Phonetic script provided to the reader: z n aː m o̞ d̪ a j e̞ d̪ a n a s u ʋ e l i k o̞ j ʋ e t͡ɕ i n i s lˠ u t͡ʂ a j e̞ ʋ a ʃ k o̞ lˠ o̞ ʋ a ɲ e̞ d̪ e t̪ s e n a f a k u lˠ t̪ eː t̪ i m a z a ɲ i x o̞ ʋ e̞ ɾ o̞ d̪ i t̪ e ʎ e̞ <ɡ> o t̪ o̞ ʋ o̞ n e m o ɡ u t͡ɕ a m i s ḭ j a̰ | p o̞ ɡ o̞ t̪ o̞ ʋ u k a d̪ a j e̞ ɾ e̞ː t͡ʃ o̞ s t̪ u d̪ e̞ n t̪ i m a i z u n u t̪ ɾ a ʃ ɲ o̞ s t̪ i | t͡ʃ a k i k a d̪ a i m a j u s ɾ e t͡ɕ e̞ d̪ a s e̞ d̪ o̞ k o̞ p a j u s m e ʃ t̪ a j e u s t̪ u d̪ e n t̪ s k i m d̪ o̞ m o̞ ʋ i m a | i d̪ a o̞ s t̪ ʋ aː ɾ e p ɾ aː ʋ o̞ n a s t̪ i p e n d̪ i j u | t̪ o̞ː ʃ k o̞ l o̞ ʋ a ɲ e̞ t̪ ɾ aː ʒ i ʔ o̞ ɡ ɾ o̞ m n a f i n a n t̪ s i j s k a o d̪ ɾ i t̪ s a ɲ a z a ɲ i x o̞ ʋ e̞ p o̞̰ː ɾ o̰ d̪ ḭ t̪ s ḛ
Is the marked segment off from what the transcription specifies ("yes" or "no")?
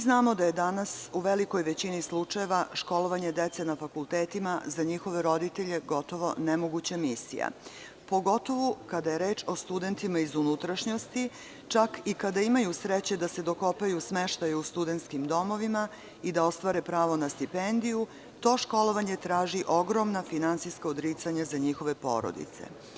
no